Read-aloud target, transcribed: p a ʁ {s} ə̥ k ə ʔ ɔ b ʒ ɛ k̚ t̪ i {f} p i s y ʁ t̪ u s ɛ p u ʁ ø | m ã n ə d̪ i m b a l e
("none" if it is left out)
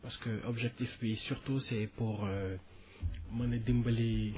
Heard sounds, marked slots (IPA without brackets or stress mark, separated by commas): s, f